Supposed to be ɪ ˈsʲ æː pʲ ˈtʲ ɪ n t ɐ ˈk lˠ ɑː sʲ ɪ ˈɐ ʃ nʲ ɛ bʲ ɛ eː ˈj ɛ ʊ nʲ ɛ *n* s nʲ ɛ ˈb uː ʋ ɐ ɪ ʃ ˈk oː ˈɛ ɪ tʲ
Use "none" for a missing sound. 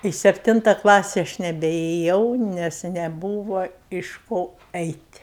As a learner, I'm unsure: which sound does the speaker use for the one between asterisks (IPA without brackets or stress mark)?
none